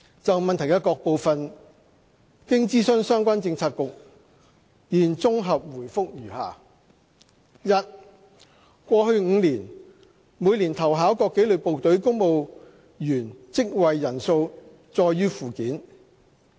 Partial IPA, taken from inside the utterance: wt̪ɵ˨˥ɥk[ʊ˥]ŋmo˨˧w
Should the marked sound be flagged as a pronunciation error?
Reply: no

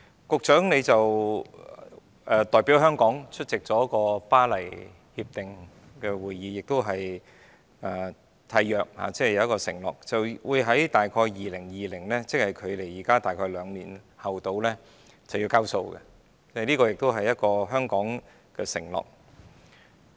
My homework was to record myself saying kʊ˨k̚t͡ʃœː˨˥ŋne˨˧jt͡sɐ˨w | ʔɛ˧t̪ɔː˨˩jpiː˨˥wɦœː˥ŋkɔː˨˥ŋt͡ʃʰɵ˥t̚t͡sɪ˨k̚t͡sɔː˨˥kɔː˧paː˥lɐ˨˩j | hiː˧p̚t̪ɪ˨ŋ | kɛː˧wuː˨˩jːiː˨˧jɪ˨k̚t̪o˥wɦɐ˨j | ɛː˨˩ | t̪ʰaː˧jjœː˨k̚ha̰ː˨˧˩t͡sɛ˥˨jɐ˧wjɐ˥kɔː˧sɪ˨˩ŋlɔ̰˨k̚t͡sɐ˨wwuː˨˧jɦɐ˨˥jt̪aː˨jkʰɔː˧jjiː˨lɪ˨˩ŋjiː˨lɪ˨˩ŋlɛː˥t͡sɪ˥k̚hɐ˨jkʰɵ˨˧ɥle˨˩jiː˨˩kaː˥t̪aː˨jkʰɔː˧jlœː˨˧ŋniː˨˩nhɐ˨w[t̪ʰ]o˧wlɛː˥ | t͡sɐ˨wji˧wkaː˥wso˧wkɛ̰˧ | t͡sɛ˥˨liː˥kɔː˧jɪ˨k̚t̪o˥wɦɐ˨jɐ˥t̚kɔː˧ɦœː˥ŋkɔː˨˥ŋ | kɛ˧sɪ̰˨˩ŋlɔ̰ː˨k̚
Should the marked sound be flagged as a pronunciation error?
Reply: yes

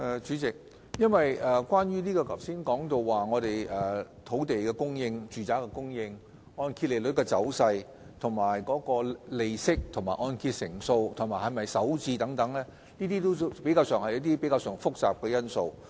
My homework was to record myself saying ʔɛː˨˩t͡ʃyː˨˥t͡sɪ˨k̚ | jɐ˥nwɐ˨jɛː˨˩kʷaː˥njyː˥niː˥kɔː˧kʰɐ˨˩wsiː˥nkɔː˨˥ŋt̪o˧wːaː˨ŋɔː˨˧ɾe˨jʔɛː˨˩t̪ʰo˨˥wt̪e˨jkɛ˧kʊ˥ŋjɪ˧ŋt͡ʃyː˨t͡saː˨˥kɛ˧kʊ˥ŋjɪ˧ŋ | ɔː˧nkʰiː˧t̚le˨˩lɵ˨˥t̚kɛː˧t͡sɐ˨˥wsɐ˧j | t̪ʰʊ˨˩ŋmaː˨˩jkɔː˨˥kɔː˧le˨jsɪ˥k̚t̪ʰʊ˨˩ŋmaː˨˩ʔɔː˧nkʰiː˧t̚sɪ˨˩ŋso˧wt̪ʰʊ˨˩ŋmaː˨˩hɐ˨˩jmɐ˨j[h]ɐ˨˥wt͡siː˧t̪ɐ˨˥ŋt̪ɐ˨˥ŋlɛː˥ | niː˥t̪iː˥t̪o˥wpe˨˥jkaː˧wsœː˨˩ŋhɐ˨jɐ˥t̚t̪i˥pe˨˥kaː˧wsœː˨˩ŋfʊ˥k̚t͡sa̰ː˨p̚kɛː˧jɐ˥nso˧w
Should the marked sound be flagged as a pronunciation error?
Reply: yes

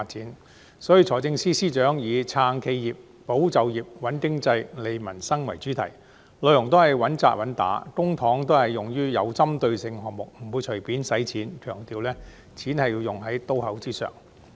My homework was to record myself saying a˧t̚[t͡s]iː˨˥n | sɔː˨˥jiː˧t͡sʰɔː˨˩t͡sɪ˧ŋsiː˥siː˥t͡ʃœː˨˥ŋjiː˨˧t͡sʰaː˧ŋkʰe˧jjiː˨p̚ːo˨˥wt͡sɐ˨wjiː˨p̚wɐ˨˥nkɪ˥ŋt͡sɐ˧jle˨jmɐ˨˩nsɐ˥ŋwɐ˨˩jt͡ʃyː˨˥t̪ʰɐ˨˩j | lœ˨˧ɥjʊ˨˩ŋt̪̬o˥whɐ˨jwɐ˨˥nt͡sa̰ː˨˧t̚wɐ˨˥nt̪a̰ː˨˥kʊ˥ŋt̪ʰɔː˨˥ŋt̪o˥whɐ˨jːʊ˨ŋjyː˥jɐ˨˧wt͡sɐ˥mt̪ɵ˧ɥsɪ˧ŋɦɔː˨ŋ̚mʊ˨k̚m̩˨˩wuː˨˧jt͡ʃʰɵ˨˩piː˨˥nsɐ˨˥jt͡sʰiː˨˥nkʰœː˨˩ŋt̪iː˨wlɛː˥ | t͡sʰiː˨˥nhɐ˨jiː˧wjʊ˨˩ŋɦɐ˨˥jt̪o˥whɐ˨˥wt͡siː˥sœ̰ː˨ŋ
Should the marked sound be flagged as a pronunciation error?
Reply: no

